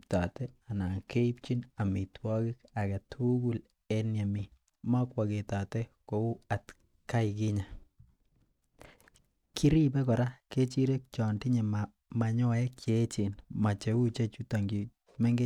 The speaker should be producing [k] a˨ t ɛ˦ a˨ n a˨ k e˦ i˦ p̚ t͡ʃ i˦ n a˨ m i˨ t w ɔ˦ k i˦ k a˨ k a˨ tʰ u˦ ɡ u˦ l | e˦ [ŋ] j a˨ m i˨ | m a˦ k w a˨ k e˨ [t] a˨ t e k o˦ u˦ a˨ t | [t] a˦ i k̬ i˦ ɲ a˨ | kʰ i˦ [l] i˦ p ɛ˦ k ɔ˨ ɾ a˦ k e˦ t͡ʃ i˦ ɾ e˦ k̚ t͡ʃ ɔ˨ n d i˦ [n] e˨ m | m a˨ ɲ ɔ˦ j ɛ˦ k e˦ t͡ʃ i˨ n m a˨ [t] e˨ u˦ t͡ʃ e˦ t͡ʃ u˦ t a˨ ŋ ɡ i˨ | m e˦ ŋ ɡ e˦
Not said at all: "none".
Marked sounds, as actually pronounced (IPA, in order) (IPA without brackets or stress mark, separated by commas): t, n, t, k, ɾ, ɲ, t͡ʃ